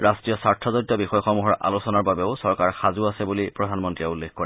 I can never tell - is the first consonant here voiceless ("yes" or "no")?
no